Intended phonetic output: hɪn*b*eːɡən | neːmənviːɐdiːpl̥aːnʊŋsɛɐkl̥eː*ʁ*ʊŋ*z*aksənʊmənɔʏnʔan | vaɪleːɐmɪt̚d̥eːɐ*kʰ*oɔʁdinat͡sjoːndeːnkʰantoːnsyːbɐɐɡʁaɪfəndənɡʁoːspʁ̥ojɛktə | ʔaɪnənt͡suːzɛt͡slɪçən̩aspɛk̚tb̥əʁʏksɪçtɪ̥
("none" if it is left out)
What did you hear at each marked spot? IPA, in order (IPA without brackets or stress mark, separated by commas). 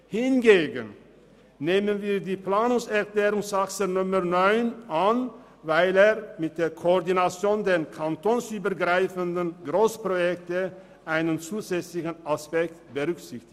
ɡ, ʁ, s, kʰ